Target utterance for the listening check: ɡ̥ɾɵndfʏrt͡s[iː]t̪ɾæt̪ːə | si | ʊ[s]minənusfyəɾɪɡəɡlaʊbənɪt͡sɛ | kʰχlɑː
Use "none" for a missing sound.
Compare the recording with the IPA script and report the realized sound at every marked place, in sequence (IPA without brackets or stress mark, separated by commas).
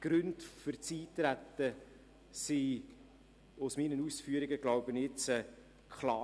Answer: iː, s